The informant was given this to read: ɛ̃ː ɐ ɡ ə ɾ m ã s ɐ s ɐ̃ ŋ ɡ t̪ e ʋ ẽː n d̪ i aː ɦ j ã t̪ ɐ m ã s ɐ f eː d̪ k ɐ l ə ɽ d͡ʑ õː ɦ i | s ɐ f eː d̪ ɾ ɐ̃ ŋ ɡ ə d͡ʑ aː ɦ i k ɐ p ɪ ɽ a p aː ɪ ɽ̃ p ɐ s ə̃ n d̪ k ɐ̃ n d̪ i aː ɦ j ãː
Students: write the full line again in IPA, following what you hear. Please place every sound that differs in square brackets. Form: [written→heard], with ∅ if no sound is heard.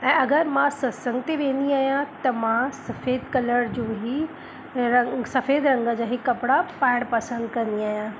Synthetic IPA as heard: ɛ̃ː ɐ ɡ ə ɾ m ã s ɐ s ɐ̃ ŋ ɡ t̪ e ʋ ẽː n d̪ i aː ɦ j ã t̪ ɐ m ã s ɐ f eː d̪ k ɐ l ə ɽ d͡ʑ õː ɦ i | s ɐ f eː d̪ ɾ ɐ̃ ŋ ɡ ə d͡ʑ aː ɦ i k ɐ p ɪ ɽ a p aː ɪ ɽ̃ p ɐ s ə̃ n d̪ k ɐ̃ n d̪ i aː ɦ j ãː